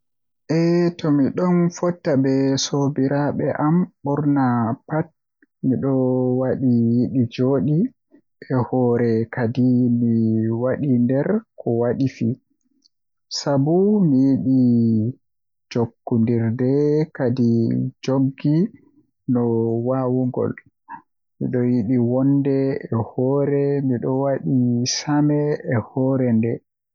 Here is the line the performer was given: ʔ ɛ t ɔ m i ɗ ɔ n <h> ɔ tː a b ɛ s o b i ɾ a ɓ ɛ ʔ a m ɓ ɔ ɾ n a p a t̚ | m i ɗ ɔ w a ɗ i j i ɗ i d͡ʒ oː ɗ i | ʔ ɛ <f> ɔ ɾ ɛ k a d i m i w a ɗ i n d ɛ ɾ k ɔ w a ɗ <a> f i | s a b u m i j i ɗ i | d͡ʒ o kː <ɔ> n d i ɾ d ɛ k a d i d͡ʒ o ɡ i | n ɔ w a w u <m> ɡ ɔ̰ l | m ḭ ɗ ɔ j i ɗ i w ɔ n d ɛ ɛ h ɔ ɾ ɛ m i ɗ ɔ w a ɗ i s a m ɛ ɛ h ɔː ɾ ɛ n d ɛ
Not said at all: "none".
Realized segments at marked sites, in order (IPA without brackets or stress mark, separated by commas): f, h, i, u, ŋ